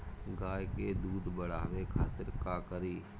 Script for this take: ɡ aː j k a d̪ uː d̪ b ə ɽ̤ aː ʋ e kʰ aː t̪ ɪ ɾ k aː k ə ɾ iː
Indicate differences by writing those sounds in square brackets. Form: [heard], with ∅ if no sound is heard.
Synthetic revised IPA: ɡ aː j k [e] d̪ uː d̪ b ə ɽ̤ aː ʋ e kʰ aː t̪ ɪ ɾ k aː k ə ɾ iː